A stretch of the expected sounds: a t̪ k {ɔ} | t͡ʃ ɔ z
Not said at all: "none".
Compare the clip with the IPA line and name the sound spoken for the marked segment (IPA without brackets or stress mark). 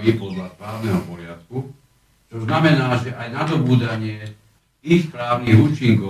u